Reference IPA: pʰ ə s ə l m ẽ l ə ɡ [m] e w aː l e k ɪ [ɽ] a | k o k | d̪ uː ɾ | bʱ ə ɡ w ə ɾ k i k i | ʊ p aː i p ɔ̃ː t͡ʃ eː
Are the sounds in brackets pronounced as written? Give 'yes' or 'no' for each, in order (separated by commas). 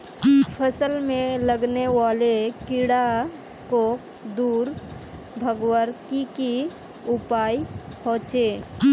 no, yes